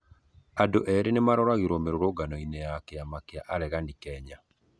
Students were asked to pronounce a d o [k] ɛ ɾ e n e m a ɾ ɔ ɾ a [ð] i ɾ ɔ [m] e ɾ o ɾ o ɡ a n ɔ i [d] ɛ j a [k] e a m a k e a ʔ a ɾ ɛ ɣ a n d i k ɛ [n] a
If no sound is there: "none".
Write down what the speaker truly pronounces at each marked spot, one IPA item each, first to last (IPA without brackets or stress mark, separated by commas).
ʔ, ɣ, m, n, k, ɲ